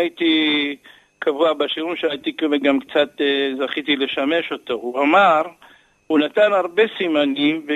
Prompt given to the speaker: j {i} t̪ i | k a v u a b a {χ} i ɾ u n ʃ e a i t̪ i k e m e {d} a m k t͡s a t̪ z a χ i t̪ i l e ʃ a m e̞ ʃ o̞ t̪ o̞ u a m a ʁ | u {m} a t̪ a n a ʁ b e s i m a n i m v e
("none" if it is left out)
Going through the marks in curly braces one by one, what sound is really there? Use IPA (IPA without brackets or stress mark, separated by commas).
i, ʃ, ɡ, n